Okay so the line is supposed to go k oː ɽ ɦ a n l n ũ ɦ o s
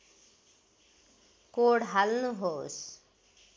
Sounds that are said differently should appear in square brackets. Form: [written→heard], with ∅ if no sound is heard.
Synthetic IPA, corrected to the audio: k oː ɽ ɦ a [n→∅] l n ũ ɦ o s